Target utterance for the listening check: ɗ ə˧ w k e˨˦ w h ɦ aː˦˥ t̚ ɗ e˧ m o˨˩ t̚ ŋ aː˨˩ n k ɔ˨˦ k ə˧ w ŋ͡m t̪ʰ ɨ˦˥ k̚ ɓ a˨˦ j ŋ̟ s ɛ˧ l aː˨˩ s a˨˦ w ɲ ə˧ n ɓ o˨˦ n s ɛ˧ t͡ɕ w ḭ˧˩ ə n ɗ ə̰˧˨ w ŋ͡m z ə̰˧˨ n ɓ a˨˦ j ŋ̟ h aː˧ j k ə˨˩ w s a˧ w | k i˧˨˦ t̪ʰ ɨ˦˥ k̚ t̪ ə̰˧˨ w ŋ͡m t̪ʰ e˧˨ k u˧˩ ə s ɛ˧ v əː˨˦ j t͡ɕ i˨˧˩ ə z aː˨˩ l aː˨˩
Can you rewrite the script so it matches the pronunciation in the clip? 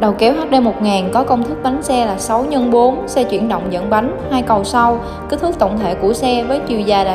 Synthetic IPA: ɗ ə˨˩ w k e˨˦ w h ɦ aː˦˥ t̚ ɗ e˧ m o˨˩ t̚ ŋ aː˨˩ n k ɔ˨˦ k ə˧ w ŋ͡m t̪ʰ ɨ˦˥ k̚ ɓ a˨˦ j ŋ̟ s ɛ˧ l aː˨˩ s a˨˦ w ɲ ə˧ n ɓ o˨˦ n s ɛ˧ t͡ɕ w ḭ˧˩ ə n ɗ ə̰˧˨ w ŋ͡m z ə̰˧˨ n ɓ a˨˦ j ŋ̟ h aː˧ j k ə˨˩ w s a˧ w | k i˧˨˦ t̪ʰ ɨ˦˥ k̚ t̪ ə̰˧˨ w ŋ͡m t̪ʰ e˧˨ k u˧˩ ə s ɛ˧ v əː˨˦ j t͡ɕ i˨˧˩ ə z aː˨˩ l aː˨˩